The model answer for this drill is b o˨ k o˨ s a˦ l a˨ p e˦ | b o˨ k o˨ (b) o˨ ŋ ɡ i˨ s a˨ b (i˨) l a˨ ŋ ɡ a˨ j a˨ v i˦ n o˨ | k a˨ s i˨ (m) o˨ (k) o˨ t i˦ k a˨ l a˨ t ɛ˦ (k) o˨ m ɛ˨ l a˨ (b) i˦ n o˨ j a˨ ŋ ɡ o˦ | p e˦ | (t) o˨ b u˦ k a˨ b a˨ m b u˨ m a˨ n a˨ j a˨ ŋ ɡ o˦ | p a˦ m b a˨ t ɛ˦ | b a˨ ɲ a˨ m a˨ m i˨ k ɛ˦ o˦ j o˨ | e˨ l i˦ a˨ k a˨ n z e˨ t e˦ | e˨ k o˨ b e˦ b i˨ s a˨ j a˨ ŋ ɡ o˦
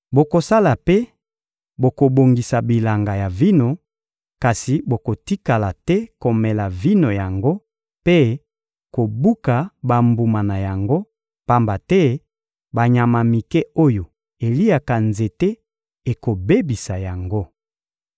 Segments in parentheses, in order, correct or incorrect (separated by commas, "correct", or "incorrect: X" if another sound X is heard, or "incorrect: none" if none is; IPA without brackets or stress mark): correct, correct, incorrect: b, correct, correct, incorrect: v, incorrect: k